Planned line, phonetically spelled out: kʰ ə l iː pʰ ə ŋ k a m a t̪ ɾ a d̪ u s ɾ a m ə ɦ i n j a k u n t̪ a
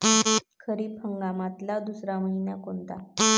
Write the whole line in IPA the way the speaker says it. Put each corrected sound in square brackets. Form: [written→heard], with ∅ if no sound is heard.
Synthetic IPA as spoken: kʰ ə [l→ɾ] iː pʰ ə ŋ [k→ɡ] a m a t̪ [ɾ→l] a d̪ u s ɾ a m ə ɦ i n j a k [u→o] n t̪ a